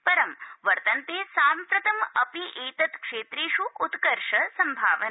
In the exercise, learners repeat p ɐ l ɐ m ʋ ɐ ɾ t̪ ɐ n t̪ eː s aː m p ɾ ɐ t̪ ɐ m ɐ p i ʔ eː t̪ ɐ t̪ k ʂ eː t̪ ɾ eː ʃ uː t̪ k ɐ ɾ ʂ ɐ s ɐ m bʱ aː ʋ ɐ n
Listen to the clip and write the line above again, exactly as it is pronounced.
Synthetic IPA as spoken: p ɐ ɾ ɐ m ʋ ɐ ɾ t̪ ɐ n t̪ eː s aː m p ɾ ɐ t̪ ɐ m ɐ p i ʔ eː t̪ ɐ t̪ k ʂ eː t̪ ɾ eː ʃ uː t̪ k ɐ ɾ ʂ ɐ s ɐ m bʱ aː ʋ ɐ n